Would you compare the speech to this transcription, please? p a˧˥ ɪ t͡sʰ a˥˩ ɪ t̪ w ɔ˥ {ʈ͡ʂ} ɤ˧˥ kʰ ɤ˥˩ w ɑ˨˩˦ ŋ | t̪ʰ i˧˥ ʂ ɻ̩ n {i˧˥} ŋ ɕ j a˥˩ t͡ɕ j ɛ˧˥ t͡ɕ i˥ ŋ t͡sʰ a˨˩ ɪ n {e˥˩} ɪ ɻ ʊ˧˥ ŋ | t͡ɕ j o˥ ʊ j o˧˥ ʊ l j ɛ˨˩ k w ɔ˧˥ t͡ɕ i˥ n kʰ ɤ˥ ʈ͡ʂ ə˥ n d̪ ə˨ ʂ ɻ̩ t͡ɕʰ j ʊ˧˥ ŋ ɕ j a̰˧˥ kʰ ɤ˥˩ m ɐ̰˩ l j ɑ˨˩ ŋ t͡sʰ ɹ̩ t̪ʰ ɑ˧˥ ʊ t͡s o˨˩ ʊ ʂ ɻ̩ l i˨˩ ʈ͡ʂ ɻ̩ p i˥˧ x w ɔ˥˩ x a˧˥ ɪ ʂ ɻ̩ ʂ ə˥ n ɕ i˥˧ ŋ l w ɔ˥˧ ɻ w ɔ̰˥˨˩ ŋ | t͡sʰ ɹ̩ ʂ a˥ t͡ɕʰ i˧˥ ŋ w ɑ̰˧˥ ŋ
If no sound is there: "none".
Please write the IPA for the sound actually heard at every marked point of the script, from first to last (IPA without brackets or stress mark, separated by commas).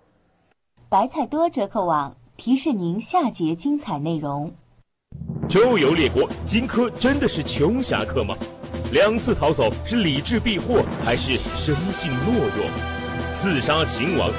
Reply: ʈ͡ʂ, i˧˥, e˥˩